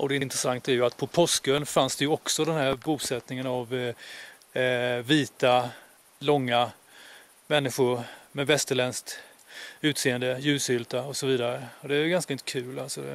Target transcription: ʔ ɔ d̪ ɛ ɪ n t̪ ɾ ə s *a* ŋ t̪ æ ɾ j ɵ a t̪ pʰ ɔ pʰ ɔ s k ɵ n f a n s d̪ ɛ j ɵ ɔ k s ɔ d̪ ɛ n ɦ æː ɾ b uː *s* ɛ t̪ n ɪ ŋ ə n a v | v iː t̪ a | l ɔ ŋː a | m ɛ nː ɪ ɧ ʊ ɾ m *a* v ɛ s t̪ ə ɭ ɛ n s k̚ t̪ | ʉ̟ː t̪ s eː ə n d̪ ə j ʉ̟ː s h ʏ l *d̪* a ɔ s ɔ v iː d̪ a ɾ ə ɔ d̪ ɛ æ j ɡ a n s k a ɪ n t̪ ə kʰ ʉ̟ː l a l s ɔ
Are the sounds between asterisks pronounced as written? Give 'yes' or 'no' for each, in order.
yes, yes, no, no

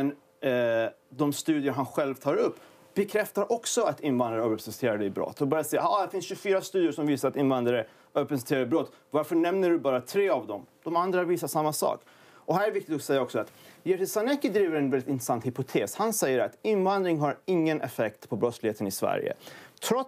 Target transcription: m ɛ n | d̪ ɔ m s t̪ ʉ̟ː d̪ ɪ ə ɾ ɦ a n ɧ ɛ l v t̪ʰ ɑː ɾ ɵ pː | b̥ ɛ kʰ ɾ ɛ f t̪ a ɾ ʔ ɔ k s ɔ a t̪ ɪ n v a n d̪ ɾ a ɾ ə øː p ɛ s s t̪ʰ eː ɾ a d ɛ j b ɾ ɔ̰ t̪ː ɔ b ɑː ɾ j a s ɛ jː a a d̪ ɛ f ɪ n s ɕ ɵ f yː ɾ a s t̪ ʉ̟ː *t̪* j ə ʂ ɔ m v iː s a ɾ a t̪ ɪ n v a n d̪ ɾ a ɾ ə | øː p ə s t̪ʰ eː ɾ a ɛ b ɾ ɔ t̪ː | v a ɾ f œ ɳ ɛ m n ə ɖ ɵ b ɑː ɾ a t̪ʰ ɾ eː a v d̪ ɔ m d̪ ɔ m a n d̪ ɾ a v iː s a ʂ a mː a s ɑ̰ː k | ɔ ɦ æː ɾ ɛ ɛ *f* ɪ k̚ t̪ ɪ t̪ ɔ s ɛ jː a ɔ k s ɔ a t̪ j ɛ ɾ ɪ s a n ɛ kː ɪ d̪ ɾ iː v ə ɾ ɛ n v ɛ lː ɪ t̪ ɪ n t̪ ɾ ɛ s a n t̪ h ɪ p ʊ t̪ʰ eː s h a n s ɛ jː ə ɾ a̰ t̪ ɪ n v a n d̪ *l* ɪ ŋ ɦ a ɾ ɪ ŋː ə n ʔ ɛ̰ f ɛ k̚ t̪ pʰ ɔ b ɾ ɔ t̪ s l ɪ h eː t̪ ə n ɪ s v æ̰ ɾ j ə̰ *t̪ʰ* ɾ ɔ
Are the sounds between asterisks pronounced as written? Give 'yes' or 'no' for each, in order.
no, no, no, yes

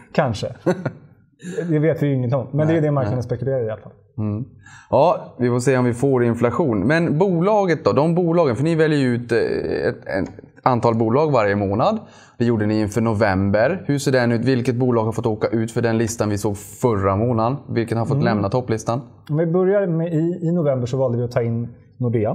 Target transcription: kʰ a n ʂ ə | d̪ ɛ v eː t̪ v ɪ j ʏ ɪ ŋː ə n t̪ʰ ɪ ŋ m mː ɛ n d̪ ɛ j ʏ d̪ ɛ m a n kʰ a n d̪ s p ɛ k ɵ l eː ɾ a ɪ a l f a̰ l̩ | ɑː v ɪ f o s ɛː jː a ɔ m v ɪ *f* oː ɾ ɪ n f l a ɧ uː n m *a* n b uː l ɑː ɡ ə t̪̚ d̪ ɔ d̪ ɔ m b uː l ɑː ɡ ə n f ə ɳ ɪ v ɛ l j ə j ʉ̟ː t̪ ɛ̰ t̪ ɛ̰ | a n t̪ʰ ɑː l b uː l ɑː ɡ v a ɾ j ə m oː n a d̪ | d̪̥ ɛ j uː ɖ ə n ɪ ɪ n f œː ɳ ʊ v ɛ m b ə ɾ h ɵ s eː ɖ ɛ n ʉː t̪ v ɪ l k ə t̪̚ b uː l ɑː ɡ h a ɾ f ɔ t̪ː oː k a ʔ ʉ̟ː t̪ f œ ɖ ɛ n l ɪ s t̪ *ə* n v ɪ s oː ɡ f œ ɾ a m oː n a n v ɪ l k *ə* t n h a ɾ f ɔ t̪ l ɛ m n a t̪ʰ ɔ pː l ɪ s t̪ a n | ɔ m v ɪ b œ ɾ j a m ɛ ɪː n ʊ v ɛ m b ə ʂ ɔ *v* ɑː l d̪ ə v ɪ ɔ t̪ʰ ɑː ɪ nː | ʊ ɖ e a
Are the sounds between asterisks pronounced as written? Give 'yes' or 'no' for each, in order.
yes, no, no, yes, yes

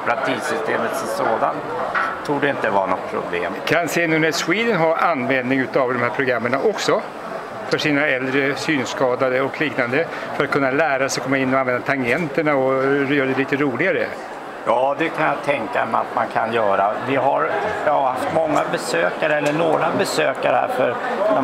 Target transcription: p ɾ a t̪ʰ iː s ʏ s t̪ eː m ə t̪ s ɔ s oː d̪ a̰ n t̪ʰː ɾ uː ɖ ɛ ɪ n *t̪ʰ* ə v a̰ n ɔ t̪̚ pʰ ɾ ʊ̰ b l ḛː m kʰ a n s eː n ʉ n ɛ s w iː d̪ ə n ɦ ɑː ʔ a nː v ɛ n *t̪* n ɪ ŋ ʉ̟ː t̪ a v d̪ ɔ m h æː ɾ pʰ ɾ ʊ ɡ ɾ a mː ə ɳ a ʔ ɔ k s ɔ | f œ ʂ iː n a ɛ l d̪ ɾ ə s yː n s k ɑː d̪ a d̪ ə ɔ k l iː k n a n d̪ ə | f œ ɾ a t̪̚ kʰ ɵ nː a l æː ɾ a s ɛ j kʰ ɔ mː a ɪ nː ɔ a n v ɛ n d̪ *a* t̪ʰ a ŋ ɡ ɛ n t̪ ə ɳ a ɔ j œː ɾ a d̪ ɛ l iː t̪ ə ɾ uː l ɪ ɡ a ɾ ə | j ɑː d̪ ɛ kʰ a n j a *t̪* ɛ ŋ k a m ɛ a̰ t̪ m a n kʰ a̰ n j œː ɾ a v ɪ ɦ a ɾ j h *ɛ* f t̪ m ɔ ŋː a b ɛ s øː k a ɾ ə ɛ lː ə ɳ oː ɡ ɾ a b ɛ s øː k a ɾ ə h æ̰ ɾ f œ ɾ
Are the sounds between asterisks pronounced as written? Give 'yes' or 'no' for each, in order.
no, no, yes, no, no

